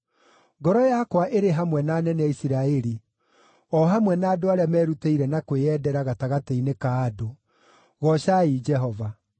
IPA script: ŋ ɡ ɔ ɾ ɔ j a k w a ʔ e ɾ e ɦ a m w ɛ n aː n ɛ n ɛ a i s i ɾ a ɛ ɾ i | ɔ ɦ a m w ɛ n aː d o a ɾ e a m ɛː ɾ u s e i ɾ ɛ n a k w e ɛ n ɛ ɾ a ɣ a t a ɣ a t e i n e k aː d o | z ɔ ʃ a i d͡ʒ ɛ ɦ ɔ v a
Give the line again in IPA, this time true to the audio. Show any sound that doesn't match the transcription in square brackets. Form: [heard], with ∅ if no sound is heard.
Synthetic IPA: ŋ ɡ ɔ ɾ ɔ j a k w a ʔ e ɾ e ɦ a m w ɛ n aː n ɛ n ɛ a i s i ɾ a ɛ ɾ i | ɔ ɦ a m w ɛ n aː d o a ɾ e a m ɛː ɾ u [t] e i ɾ ɛ n a k w e ɛ [d] ɛ ɾ a ɣ a t a ɣ a t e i n e k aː d o | [ɣ] ɔ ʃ a i d͡ʒ ɛ ɦ ɔ v a